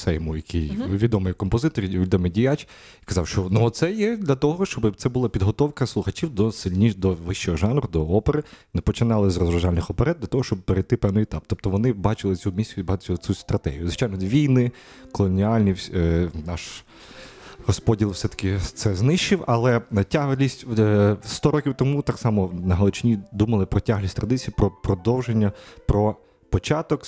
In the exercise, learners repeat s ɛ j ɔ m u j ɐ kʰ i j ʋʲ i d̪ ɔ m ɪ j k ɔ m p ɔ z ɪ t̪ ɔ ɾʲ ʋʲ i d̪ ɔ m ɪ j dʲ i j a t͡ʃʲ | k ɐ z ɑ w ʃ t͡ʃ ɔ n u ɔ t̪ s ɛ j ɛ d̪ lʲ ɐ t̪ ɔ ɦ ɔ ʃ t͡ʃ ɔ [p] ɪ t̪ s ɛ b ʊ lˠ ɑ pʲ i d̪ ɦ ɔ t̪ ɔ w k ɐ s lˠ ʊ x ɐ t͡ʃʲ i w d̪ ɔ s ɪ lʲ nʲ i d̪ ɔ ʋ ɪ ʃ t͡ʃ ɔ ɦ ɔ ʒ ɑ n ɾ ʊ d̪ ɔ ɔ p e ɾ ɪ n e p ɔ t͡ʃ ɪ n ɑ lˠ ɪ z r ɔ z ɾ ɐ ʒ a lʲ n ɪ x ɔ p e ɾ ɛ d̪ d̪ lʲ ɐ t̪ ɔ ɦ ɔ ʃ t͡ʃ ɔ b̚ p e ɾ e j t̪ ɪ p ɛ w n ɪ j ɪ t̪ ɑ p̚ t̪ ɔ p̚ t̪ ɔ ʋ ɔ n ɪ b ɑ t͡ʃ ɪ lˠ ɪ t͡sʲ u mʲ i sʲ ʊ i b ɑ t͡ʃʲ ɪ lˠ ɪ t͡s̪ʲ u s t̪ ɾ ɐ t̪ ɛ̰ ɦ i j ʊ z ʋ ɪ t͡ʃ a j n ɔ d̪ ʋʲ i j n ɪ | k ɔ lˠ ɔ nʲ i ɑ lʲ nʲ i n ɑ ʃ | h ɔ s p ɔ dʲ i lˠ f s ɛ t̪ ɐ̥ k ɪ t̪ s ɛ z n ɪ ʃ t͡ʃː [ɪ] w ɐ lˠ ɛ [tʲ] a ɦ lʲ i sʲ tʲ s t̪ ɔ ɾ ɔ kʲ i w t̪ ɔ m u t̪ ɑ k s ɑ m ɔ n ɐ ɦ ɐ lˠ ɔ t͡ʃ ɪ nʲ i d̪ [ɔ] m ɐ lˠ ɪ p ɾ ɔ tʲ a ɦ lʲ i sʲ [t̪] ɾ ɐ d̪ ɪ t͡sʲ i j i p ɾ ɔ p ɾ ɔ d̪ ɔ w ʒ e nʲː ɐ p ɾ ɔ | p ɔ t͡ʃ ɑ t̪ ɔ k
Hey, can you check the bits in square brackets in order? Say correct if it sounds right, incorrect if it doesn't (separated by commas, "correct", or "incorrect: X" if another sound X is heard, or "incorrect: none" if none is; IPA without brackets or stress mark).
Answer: incorrect: b, correct, correct, incorrect: u, correct